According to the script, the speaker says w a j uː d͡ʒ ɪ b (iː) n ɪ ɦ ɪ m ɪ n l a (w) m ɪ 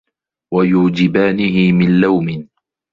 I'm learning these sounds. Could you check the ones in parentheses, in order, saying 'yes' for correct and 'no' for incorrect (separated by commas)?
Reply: no, yes